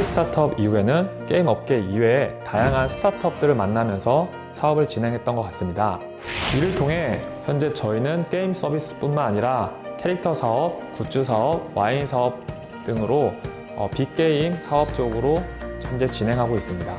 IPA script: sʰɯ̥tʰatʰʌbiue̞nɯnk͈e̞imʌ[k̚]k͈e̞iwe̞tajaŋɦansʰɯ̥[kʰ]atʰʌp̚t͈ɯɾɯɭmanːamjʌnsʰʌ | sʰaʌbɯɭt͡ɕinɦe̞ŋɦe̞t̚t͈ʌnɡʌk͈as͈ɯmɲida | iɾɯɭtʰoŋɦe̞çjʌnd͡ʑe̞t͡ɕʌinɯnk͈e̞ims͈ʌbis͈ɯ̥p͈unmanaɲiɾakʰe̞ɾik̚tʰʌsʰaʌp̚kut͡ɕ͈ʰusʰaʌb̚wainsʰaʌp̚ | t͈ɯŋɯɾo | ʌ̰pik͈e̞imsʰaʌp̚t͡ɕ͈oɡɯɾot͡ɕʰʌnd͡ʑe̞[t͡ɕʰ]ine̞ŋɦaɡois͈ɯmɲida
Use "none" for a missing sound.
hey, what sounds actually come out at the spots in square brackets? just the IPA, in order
p̚, tʰ, t͡ɕ

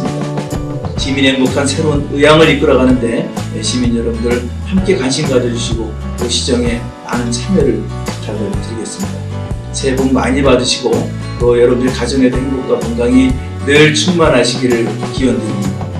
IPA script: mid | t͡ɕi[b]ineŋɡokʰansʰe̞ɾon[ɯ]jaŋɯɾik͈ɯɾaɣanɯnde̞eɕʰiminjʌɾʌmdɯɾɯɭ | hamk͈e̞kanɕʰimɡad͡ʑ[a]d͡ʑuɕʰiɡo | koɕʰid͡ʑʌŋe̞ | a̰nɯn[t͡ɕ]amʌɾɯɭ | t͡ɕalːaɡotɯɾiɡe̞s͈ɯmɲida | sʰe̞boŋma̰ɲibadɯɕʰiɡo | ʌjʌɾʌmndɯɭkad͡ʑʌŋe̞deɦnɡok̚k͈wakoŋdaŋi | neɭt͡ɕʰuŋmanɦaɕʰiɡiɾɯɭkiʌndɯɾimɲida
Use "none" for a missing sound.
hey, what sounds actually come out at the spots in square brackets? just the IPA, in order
m, ɯ, ʌ, t͡ɕʰ

